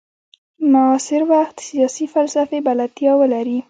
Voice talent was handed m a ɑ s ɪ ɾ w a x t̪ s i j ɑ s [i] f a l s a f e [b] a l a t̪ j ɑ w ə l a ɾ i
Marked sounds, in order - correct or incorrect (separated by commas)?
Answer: correct, correct